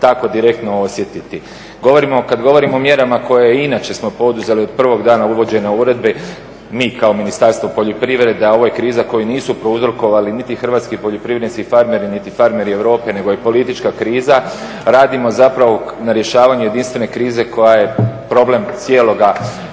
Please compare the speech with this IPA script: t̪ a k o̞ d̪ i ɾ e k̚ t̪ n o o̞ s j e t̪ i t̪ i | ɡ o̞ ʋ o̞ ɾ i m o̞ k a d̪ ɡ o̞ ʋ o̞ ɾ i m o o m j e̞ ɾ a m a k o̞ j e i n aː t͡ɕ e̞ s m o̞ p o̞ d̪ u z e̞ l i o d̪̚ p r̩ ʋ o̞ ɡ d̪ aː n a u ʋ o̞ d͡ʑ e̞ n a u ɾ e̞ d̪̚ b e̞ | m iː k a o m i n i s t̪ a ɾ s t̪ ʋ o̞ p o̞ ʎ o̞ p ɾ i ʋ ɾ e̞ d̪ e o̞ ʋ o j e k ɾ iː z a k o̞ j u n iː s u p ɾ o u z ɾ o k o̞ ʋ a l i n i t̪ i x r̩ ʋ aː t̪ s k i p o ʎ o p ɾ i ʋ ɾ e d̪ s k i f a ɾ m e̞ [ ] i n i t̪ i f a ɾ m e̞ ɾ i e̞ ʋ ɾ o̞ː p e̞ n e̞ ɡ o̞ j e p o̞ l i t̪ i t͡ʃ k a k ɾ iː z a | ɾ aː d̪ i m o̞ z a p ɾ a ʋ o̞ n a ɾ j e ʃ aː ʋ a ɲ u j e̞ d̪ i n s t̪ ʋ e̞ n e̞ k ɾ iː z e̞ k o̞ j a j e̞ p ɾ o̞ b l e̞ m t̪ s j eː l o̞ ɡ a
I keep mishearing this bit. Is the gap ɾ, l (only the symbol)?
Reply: ɾ